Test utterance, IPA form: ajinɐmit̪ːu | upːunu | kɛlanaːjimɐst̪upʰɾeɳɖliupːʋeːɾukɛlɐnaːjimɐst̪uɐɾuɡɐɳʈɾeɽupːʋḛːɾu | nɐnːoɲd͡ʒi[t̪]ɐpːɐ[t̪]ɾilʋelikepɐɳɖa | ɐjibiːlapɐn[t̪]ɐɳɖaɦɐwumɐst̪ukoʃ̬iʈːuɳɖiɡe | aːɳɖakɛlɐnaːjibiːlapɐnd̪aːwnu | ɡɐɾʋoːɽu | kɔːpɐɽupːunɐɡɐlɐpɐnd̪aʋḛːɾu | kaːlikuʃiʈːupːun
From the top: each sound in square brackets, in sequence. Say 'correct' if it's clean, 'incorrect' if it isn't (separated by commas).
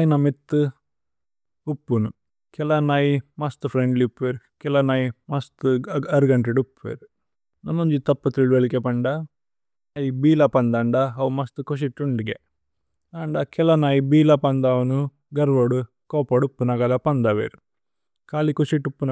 correct, correct, incorrect